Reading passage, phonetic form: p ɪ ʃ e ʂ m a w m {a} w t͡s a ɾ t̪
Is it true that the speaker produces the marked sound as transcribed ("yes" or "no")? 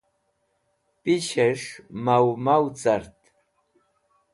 yes